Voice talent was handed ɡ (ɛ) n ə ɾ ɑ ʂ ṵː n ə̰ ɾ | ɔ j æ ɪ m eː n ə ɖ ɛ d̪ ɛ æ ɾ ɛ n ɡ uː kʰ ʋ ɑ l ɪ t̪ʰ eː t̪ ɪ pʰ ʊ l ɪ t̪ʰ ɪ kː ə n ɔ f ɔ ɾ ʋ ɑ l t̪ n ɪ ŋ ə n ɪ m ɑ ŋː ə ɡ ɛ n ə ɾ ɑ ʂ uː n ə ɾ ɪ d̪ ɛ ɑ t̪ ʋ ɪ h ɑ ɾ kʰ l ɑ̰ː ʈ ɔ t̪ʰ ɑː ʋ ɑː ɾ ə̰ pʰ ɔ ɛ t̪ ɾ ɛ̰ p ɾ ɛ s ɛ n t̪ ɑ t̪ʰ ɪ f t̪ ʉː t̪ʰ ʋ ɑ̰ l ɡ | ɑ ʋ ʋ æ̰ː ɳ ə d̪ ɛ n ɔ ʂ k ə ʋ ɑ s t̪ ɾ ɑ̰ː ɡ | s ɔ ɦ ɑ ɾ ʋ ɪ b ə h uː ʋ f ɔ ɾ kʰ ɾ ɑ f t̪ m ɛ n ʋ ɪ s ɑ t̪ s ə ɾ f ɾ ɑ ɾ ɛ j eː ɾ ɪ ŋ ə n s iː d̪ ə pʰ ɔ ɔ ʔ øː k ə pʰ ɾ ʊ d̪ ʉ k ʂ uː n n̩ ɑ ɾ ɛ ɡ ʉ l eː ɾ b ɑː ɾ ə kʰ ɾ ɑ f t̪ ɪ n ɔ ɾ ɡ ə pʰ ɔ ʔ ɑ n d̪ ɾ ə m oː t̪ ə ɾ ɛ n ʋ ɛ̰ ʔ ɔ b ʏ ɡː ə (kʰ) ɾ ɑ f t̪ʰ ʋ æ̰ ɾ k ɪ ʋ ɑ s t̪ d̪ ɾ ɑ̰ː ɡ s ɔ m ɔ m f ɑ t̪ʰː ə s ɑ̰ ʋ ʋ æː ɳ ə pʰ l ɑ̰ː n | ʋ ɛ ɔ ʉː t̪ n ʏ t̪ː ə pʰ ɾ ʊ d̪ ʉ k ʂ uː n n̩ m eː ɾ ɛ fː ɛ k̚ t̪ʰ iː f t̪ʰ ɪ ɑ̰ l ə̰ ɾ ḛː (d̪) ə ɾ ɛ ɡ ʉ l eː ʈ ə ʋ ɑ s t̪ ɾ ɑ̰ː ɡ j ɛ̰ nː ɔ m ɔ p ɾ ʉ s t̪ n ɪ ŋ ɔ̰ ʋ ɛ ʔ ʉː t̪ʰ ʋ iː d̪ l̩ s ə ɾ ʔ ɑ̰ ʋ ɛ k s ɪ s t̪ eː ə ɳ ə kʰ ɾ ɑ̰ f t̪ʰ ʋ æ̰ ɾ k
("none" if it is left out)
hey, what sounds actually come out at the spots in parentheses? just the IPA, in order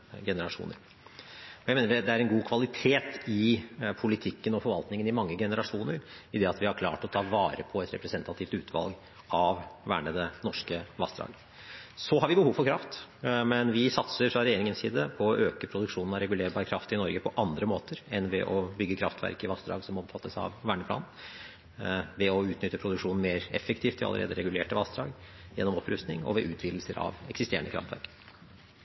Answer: ɛ, kʰ, d̪

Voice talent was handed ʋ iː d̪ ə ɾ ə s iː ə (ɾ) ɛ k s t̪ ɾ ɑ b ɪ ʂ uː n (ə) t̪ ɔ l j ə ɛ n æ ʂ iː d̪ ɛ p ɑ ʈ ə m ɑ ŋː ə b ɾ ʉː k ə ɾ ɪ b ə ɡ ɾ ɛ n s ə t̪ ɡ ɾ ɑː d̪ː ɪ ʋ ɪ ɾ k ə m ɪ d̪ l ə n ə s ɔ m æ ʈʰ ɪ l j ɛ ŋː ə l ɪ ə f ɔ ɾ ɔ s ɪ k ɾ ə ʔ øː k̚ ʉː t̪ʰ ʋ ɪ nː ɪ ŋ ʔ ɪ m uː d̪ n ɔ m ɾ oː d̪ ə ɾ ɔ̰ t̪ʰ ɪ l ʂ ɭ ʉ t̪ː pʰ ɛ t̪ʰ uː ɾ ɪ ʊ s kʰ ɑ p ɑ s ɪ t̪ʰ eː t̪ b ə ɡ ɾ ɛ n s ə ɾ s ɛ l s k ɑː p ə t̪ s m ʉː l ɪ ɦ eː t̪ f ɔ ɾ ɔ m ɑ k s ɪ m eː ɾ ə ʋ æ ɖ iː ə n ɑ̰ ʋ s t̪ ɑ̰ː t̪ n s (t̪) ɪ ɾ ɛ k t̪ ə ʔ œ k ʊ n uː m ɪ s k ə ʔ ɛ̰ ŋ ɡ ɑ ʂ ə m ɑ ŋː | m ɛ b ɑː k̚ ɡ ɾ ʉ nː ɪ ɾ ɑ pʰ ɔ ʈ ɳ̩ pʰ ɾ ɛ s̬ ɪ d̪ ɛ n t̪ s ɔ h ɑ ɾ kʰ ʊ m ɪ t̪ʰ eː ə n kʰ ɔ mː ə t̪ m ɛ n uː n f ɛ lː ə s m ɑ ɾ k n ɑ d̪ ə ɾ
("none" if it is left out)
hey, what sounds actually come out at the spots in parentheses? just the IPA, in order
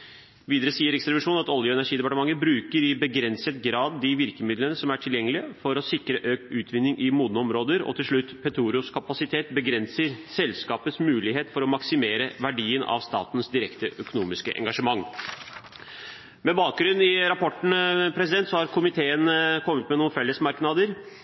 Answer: ɾ, ɑ, d̪

